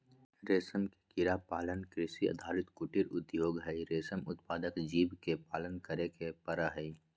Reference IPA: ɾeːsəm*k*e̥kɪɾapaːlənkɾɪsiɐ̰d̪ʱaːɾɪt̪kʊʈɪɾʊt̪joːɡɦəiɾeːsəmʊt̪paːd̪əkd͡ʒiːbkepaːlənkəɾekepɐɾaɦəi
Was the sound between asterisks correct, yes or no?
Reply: yes